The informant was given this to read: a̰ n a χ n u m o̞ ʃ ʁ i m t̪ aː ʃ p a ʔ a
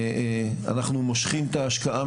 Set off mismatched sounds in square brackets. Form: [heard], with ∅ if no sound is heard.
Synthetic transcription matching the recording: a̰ n a χ n u m o̞ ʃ [χ] i m t̪ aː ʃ [k] a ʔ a